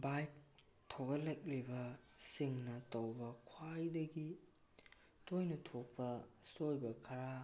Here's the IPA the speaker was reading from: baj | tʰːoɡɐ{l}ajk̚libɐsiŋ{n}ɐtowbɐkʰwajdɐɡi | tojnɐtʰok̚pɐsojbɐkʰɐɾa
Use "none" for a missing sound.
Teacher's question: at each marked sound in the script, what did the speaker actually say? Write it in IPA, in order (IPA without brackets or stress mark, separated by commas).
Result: l, n